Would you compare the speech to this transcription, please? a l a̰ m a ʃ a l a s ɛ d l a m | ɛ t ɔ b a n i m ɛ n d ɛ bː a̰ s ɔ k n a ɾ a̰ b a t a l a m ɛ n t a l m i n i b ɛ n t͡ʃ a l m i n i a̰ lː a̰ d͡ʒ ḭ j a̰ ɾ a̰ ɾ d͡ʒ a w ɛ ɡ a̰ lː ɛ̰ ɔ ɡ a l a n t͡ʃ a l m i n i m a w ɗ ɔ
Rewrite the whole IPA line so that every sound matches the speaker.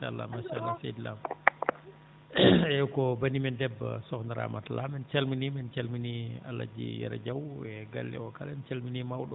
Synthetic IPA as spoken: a l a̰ m a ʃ a l a s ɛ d l a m | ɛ k ɔ b a n i m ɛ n d ɛ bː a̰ s ɔ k n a ɾ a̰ m a t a l a m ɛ n t͡ʃ a l m i n i m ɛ n t͡ʃ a l m i n i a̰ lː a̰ d͡ʒ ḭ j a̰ ɾ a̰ d͡ʒ a w ɛ ɡ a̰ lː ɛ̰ ɔ k a l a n t͡ʃ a l m i n i m a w ɗ ɔ